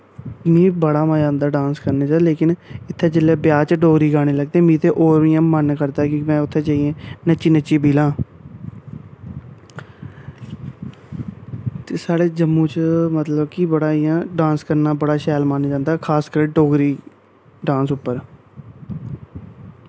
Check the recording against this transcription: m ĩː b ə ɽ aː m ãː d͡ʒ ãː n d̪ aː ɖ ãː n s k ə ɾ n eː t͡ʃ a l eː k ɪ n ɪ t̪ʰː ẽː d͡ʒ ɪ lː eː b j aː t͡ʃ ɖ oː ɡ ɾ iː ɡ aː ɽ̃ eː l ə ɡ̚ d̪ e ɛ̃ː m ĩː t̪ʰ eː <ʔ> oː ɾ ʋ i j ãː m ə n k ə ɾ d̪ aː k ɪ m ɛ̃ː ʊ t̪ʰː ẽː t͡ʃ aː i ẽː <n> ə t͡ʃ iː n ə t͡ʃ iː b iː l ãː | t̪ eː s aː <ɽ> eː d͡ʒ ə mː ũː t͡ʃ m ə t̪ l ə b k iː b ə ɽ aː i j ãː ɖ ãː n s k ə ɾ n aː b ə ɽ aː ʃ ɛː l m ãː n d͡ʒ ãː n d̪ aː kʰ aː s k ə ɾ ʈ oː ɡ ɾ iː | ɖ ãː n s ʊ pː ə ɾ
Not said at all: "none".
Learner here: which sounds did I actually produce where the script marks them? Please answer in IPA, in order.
ʔ, n, ɽ

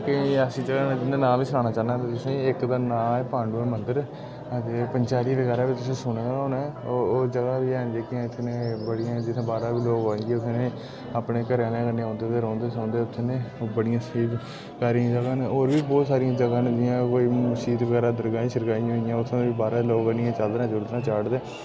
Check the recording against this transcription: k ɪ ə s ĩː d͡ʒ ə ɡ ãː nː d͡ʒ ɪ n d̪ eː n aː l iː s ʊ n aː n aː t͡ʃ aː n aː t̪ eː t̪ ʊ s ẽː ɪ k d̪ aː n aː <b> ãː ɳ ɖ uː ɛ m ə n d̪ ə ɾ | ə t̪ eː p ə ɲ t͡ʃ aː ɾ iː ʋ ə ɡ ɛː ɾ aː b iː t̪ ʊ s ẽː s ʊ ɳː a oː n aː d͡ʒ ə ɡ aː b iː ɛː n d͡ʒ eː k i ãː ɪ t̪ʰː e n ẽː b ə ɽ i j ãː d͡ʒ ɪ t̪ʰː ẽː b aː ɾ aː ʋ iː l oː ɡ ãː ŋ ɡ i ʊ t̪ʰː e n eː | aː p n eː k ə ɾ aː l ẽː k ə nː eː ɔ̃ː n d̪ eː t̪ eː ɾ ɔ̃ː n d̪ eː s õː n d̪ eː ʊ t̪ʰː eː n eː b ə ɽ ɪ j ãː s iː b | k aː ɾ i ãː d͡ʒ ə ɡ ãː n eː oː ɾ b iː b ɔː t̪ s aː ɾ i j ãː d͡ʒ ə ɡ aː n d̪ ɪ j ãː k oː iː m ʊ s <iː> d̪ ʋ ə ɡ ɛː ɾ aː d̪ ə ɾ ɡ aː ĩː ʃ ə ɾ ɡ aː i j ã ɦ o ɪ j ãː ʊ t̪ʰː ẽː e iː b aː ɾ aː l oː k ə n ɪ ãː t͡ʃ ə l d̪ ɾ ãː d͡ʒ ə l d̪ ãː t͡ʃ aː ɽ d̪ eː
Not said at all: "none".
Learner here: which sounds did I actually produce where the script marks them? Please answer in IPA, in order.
p, iː

